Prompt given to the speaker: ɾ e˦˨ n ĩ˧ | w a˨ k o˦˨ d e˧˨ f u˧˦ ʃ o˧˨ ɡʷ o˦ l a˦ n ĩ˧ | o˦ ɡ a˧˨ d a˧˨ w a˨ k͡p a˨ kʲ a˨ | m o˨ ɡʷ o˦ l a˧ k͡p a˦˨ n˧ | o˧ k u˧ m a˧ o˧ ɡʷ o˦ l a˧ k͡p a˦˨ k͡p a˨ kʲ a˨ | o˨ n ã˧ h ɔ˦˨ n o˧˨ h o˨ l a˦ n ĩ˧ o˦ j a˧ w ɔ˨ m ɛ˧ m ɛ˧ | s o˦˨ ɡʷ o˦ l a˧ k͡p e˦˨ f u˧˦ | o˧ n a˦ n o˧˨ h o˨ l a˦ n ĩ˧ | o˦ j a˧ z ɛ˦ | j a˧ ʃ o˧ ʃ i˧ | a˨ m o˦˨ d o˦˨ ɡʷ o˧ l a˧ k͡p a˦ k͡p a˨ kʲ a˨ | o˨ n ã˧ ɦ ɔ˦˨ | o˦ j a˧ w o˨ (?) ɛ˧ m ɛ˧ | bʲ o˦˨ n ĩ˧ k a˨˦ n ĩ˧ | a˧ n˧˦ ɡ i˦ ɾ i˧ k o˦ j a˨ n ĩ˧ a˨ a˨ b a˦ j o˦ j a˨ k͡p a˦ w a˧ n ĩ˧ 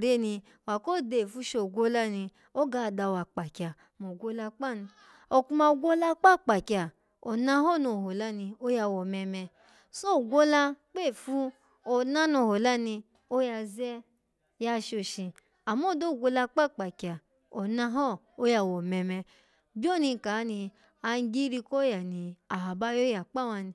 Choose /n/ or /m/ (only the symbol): m